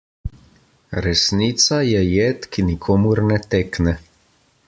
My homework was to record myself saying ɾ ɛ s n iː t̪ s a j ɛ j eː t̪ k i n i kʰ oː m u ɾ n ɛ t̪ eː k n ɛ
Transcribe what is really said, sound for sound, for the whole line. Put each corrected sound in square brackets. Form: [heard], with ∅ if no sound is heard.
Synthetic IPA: ɾ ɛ s n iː t̪ s a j ɛ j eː t̪ k i n i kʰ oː m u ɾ n ɛ t̪ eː k n ɛ